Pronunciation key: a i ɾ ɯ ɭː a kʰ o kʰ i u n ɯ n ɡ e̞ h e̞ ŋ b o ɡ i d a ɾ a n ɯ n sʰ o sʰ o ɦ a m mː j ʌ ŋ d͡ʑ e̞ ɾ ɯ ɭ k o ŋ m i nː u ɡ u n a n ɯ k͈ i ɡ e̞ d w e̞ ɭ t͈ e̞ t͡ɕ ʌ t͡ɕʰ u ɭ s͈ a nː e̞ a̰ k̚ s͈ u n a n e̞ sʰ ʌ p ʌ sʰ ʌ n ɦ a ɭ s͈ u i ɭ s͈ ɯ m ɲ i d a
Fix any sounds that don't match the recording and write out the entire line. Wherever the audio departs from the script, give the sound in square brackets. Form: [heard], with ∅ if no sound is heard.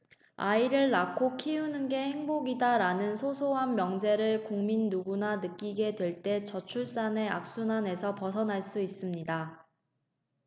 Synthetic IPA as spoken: a i ɾ ɯ ɭː a kʰ o kʰ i u n ɯ n ɡ e̞ h e̞ ŋ b o ɡ i d a ɾ a n ɯ n sʰ o sʰ o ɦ a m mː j ʌ ŋ d͡ʑ e̞ ɾ ɯ ɭ k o ŋ m i nː u ɡ u n a n ɯ k͈ i ɡ e̞ d w e̞ ɭ t͈ e̞ t͡ɕ ʌ t͡ɕʰ u ɭ s͈ a [n] e̞ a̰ k̚ s͈ u n a n e̞ sʰ ʌ p ʌ sʰ ʌ n ɦ a ɭ s͈ u i [∅] s͈ ɯ m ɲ i d a